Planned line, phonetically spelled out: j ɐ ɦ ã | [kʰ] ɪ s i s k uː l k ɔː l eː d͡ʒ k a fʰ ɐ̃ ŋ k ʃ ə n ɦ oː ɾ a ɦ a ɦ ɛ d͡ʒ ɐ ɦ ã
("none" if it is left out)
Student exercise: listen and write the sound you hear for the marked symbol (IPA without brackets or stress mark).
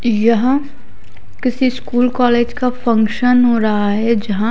k